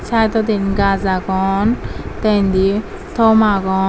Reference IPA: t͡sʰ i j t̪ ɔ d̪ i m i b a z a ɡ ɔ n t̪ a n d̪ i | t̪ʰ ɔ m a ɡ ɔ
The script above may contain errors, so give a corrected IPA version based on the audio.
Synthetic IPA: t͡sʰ a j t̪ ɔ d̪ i n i ɡ a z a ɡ ɔ n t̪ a n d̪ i | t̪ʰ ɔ m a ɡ ɔ

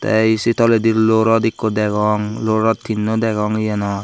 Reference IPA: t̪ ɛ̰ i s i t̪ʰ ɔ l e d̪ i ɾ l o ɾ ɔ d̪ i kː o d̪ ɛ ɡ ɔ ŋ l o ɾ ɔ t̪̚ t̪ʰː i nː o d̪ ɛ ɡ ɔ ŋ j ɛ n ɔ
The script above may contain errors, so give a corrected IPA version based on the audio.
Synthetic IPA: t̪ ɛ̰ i s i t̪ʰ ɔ l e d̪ i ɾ l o ɾ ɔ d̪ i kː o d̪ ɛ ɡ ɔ ŋ l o ɾ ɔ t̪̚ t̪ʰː i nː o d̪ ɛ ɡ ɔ ŋ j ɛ n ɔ

